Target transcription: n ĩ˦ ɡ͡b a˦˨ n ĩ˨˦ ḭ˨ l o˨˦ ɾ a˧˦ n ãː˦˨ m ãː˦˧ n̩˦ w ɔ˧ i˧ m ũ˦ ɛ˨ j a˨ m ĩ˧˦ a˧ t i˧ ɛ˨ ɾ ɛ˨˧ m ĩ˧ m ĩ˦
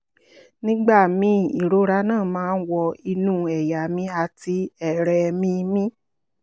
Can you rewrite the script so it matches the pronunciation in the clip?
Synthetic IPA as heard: n ĩ˦ ɡ͡b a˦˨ m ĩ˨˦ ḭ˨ ɾ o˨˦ ɾ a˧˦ n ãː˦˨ m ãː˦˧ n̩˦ w ɔ˧ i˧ n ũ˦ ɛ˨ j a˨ m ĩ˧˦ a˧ t i˧ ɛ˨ ɾ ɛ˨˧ m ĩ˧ m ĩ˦

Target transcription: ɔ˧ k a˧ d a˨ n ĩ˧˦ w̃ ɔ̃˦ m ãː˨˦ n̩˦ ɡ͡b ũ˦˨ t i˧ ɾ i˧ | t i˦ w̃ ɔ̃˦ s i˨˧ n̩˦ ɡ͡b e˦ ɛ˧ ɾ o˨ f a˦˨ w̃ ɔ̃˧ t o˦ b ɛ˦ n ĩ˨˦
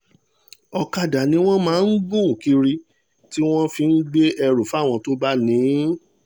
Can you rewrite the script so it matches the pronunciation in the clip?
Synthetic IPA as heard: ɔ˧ k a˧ d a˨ n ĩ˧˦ w̃ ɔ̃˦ m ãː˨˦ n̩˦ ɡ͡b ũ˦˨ k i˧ ɾ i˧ | t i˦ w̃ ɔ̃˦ f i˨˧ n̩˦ ɡ͡b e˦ ɛ˧ ɾ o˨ f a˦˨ w̃ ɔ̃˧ t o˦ b a˦ n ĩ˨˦

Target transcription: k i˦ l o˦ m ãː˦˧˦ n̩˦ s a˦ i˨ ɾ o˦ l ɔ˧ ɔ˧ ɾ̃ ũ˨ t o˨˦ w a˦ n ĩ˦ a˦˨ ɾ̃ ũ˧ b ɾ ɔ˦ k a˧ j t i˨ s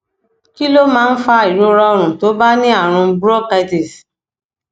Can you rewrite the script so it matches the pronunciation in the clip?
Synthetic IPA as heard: k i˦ l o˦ m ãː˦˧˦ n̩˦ f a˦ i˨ ɾ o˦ ɾ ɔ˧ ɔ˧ ɾ̃ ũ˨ t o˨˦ b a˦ n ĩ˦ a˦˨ ɾ̃ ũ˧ b ɾ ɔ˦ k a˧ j t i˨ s

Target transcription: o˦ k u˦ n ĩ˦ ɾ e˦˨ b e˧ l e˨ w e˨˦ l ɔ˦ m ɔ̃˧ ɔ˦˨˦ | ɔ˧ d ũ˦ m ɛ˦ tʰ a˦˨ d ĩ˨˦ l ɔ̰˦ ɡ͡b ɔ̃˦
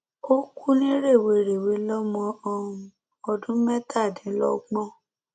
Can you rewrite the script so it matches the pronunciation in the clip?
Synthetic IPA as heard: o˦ k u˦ n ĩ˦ ɾ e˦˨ w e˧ ɾ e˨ w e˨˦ l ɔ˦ m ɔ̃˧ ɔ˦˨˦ | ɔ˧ d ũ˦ m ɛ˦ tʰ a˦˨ d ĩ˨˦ l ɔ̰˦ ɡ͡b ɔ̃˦

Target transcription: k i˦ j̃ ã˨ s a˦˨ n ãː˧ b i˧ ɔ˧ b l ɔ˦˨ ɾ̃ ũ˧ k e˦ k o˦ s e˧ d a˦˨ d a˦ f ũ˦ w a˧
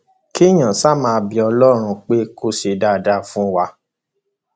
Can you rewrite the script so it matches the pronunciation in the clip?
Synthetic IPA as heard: k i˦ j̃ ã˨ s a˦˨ m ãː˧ b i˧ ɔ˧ l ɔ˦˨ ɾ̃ ũ˧ k͡p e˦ k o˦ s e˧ d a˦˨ d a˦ f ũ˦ w a˧

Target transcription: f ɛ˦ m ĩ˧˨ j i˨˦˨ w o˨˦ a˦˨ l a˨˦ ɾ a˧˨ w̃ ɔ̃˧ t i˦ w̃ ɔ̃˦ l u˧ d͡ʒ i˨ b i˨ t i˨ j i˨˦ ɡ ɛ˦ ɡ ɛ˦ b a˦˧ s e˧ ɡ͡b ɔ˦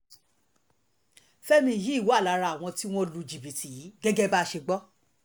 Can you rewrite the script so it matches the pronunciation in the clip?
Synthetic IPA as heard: f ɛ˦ m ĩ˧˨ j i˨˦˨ w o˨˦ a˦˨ l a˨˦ ɾ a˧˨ w̃ ɔ̃˧ t i˦ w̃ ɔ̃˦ l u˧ d͡ʒ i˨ b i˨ t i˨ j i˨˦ ɡ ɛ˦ ɡ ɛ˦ b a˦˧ ʃ e˧ ɡ͡b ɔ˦

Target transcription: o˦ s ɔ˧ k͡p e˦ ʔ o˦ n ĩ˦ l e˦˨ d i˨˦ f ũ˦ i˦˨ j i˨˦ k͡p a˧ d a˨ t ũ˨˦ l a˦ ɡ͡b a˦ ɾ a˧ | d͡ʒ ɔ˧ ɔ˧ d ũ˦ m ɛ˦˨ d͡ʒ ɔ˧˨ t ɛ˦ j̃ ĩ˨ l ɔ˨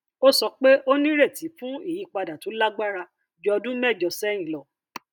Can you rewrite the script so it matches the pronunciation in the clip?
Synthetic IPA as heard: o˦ s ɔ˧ k͡p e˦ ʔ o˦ n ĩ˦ ɾ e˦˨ t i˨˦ f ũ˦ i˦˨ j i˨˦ k͡p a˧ d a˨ t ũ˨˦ l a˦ ɡ͡b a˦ ɾ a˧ | d͡ʒ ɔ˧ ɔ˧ d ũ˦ m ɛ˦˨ d͡ʒ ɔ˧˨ s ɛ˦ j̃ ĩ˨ l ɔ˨

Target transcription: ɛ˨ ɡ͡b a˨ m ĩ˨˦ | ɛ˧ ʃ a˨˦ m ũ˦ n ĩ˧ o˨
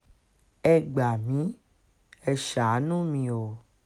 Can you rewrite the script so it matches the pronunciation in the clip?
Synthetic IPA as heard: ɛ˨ ɡ͡b a˨ m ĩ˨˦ | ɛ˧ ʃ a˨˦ n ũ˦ m ĩ˧ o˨

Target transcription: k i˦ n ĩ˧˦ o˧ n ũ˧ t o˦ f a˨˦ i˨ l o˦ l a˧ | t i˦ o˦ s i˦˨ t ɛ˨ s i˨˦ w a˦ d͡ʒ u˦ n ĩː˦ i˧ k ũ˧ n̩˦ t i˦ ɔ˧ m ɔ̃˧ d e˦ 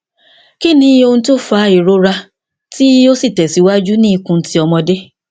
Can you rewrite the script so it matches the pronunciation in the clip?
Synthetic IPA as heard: k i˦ n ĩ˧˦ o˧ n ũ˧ t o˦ f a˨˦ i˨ ɾ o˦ ɾ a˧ | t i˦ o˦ s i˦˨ t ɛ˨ s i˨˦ w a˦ d͡ʒ u˦ n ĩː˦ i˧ k ũ˧ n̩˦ t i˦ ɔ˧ m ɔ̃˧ d e˦

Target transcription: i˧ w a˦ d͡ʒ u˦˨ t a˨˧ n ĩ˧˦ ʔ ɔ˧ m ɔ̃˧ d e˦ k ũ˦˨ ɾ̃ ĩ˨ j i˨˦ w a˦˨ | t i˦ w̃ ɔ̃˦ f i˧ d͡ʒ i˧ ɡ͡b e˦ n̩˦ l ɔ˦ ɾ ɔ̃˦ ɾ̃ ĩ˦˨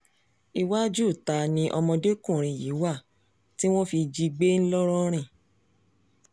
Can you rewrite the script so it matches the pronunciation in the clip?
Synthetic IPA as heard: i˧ w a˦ d͡ʒ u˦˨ t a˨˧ n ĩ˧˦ ʔ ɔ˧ m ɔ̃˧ d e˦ k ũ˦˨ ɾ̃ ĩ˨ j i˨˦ w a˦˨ | t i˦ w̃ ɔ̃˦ f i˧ d͡ʒ i˧ ɡ͡b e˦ n̩˦ l ɔ˦ ɾ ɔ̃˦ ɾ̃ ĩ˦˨

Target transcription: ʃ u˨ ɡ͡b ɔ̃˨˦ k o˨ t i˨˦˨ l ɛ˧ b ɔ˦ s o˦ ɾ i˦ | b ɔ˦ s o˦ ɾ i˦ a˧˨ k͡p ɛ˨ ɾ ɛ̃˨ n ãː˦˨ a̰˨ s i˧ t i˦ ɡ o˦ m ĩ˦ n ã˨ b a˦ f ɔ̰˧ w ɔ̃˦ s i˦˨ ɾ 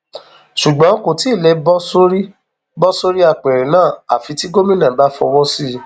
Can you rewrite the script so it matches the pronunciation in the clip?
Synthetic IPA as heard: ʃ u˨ ɡ͡b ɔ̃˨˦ k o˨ t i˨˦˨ l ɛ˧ b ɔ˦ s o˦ ɾ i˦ | b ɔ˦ s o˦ ɾ i˦ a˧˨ k͡p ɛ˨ ɾ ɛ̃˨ n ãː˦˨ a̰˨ f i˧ t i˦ ɡ o˦ m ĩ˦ n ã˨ b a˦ f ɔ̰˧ w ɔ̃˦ s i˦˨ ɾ

